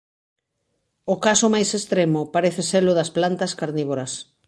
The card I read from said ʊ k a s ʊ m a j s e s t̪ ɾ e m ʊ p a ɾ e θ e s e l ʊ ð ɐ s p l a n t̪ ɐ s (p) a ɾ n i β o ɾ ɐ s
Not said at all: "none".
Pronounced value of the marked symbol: k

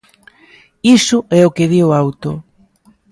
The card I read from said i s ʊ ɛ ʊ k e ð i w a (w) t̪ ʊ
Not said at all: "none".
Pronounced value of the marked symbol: w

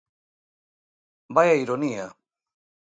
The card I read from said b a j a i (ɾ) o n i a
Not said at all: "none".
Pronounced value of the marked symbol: ɾ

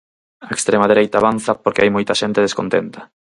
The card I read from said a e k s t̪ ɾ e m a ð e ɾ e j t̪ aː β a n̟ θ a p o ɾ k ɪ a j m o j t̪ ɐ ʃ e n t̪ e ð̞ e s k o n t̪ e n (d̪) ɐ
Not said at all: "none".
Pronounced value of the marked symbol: t̪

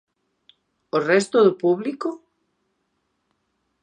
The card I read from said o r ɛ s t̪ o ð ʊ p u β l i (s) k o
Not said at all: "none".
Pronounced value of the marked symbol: none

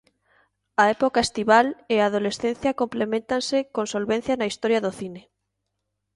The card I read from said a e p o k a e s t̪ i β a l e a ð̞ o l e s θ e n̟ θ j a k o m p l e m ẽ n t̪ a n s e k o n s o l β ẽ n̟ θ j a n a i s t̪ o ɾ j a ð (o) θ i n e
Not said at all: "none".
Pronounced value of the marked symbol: o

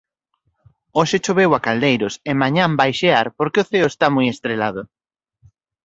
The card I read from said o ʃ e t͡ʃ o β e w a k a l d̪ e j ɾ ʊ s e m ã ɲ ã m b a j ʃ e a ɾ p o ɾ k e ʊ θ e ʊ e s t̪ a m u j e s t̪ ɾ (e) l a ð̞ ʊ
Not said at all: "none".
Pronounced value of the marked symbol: e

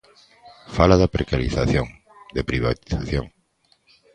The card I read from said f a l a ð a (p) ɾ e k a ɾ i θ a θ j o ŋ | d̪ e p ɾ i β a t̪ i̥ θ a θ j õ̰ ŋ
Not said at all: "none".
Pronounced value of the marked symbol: p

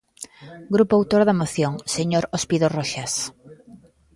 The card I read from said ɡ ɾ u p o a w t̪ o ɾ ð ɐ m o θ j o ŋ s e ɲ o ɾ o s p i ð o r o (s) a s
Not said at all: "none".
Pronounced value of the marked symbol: ʃ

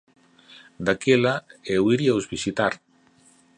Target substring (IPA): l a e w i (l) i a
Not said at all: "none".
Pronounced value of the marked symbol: ɾ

